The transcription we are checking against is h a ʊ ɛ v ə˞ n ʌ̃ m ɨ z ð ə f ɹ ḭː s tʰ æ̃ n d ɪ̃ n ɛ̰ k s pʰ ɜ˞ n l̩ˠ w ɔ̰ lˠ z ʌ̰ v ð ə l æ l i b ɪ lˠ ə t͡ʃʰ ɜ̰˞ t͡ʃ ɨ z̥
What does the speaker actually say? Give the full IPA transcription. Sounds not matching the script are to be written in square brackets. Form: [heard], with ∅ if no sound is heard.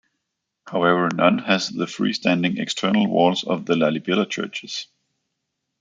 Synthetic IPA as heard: h a ʊ ɛ v ə˞ n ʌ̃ [n] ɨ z ð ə f ɹ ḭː s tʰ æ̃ n d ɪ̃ [ŋ] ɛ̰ k s [tʰ] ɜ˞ n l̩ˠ w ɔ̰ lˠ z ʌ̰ v ð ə l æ l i b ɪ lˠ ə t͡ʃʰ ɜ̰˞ t͡ʃ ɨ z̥

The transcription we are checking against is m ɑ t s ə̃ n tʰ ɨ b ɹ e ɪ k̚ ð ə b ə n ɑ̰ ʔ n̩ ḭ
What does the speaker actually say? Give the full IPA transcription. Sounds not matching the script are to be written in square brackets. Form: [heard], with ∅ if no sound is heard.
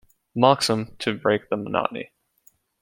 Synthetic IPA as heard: m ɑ [k] s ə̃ [m] tʰ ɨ b ɹ e ɪ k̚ ð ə [m] ə n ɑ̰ ʔ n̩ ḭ

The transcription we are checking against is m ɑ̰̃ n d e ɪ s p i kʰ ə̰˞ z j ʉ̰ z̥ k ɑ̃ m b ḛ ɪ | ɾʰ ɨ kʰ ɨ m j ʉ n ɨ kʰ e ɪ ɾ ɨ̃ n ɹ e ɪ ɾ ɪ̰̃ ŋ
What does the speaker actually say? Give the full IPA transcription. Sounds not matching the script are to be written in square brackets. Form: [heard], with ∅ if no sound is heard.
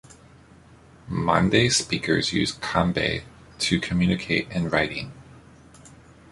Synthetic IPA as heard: m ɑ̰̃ n d e ɪ s p i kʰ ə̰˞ z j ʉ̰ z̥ [kʰ] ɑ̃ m b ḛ ɪ | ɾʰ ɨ kʰ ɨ m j ʉ n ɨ kʰ e ɪ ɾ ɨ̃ n ɹ [a] ɪ ɾ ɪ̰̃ ŋ

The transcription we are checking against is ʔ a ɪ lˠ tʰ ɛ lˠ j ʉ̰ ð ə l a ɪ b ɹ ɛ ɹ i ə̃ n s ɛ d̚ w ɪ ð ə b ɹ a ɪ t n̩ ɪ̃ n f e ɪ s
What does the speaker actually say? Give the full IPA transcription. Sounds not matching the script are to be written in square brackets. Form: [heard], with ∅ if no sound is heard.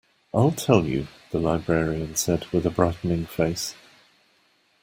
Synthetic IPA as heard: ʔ a ɪ lˠ tʰ ɛ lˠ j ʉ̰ ð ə l a ɪ b ɹ ɛ ɹ i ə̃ n s ɛ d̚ w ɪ ð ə b ɹ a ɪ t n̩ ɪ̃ [ŋ] f e ɪ s

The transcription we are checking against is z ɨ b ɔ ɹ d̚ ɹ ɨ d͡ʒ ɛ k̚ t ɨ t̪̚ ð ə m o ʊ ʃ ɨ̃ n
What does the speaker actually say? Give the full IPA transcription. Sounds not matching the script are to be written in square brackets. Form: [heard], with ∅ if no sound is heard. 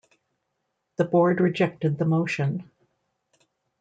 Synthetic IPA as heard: [ð] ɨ b ɔ ɹ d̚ ɹ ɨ d͡ʒ ɛ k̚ t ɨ [d̪̚] ð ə m o ʊ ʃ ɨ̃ n

